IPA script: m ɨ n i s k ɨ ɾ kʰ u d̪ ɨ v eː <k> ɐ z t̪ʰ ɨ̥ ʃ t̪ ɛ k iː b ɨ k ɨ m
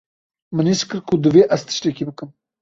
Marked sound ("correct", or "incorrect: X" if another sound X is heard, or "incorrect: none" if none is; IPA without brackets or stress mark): incorrect: ʔ